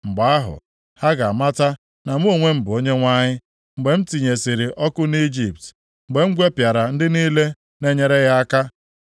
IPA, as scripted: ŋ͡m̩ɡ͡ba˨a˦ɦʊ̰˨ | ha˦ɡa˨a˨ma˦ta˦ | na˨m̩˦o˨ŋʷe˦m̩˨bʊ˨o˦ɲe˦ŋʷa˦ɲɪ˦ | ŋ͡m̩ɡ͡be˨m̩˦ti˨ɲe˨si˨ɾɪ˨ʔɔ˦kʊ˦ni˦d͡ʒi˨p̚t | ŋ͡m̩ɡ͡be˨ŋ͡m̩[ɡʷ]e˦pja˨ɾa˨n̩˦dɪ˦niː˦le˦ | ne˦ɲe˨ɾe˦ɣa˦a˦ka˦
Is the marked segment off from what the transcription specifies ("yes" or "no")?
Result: no